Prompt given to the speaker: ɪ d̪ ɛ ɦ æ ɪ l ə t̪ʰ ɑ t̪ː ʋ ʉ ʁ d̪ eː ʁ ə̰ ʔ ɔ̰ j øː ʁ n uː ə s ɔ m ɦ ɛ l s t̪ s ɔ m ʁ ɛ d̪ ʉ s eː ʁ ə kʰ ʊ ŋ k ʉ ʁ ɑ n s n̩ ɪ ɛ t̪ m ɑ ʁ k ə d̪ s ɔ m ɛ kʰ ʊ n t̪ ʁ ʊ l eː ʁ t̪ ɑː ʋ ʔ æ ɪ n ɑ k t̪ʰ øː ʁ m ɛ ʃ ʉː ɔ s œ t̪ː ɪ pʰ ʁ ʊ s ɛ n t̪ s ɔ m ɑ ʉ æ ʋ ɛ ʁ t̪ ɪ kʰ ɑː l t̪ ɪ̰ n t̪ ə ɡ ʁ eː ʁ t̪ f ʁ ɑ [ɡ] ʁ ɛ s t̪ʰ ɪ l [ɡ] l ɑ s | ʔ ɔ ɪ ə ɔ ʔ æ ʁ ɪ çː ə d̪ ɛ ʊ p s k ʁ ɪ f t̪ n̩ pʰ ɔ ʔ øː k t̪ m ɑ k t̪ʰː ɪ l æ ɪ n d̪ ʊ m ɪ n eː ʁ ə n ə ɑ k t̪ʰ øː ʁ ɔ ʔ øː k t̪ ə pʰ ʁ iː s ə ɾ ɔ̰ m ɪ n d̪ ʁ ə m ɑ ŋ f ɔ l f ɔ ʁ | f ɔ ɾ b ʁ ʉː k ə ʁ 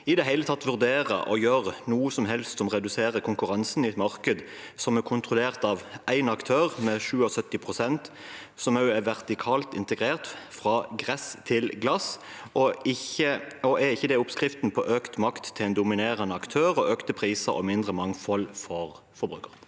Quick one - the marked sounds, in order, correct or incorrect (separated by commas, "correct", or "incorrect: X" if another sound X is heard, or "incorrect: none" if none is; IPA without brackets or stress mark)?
correct, correct